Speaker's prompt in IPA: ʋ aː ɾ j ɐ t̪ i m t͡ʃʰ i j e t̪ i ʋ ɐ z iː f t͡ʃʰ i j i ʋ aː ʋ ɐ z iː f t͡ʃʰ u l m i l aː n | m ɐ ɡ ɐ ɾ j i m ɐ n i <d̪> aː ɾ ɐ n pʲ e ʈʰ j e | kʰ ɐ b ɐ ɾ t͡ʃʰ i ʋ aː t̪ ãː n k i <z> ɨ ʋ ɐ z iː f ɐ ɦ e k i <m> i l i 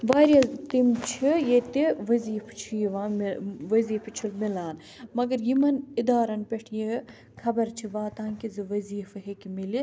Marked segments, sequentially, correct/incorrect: correct, correct, correct

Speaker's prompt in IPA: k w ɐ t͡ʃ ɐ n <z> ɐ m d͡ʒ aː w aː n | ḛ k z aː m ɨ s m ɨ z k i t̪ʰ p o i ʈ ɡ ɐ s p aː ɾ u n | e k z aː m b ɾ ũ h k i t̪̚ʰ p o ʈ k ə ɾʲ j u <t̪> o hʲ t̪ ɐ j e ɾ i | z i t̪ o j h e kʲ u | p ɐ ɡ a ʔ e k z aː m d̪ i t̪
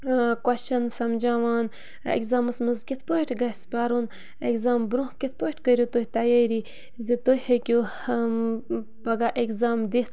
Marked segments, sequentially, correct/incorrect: incorrect, correct

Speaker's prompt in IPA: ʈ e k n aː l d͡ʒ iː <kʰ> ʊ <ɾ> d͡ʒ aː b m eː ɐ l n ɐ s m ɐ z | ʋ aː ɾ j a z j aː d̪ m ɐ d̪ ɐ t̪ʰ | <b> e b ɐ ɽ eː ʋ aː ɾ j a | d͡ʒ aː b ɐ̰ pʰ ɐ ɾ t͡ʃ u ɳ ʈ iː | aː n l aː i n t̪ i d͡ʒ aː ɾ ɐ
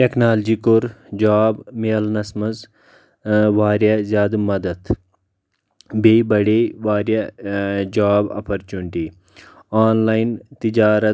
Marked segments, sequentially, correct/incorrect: incorrect, correct, correct

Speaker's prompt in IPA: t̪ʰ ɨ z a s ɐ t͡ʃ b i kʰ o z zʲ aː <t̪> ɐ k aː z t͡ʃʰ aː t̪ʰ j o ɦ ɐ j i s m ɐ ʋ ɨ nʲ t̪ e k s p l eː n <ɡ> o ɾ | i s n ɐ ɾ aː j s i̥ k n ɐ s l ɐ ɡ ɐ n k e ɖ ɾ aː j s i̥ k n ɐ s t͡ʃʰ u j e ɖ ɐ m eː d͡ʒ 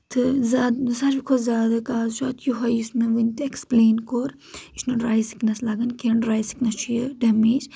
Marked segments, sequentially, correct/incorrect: incorrect, incorrect

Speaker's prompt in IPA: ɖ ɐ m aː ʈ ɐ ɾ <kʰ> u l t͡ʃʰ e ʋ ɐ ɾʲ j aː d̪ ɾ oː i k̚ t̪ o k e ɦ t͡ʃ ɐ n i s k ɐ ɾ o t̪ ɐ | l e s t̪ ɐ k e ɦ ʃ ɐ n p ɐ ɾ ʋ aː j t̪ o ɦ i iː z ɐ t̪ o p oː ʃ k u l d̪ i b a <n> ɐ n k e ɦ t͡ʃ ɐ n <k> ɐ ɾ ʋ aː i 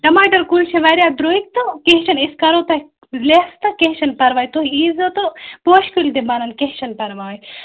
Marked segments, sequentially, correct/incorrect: incorrect, correct, incorrect

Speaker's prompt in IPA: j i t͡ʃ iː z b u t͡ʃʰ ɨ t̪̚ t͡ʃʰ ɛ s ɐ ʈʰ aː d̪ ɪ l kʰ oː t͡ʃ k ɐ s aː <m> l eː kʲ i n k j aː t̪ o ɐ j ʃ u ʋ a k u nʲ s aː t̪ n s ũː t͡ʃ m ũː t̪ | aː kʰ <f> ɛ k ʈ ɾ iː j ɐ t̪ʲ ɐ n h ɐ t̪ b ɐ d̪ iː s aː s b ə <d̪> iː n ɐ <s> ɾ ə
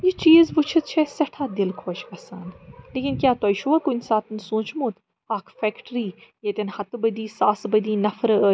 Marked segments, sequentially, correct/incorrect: incorrect, correct, correct, incorrect

